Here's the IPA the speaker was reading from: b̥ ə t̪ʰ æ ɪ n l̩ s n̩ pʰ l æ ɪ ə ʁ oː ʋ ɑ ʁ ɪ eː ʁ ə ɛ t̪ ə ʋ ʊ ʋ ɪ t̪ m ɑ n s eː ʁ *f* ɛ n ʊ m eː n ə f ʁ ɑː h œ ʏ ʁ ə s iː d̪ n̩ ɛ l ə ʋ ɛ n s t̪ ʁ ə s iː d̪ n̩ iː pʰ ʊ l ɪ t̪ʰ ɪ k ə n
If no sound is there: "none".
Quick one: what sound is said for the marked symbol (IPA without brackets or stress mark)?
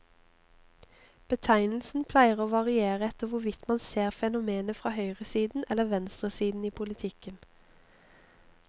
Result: f